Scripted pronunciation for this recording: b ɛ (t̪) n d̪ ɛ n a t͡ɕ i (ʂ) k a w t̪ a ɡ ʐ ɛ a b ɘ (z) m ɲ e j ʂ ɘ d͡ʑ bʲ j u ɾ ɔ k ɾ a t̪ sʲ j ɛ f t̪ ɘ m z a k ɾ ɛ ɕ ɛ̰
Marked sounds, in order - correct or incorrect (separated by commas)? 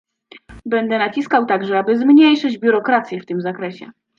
incorrect, incorrect, correct